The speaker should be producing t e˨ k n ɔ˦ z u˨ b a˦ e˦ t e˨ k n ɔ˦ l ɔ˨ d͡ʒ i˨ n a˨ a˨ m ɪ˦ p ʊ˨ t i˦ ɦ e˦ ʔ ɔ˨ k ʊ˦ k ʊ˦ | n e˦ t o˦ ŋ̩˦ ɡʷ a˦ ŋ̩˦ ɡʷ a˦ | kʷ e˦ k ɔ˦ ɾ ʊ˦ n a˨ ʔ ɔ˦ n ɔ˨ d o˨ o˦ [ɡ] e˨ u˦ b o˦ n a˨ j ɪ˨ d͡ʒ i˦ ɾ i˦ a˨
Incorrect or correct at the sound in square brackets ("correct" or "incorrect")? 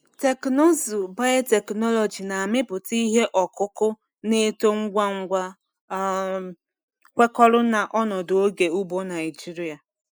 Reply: correct